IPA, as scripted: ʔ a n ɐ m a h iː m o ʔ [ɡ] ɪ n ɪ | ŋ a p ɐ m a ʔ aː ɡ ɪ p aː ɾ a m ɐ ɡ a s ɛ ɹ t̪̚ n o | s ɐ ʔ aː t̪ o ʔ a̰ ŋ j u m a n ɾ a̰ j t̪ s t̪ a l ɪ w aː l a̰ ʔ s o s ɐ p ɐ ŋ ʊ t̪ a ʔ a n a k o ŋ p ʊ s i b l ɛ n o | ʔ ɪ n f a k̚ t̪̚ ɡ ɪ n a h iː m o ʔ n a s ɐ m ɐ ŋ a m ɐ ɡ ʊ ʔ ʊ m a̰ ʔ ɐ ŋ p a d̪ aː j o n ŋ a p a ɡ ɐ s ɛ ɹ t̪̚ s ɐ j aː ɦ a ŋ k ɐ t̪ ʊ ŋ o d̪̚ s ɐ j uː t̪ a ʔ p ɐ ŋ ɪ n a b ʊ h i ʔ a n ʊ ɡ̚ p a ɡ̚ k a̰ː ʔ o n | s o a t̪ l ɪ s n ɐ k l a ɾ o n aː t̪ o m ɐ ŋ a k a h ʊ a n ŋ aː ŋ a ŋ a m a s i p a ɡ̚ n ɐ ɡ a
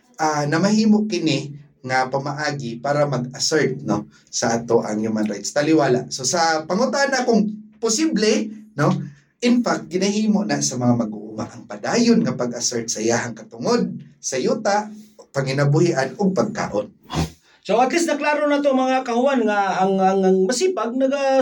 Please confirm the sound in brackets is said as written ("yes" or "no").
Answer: no